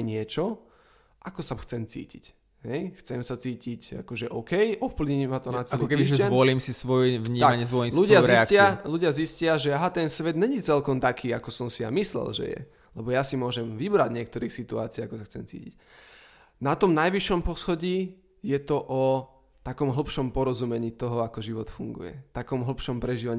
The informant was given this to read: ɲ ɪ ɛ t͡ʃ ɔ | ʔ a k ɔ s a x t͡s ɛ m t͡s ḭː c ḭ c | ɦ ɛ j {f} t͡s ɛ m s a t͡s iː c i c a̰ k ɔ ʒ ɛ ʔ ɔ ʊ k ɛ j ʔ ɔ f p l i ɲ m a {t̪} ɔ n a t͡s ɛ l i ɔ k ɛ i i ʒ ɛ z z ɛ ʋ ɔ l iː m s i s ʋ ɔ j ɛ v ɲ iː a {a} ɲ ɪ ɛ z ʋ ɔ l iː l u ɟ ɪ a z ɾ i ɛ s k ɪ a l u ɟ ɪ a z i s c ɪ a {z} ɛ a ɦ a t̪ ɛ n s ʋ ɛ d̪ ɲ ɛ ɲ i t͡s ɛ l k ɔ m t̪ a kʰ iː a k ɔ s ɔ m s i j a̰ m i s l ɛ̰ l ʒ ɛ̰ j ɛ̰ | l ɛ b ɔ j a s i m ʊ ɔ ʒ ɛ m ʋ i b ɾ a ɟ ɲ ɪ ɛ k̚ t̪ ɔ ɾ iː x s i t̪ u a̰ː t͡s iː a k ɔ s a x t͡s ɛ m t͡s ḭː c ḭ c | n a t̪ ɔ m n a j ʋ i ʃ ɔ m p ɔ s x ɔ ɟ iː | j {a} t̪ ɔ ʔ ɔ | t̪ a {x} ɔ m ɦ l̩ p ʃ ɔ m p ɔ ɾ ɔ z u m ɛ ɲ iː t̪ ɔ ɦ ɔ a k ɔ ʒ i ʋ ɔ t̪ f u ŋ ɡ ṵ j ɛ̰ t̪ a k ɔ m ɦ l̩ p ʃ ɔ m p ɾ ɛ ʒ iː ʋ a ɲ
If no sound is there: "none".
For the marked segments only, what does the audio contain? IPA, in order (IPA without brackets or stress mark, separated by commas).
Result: x, t̪, a, ʒ, ɛ, k